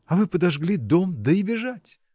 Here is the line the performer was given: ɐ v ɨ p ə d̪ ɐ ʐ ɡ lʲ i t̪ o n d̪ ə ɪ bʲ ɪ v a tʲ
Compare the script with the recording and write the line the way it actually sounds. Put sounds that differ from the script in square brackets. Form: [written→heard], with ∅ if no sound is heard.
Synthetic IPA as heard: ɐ v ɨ p ə d̪ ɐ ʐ ɡ lʲ i [t̪→d̪] o [n→m] d̪ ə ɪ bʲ ɪ [v→ʐ] a tʲ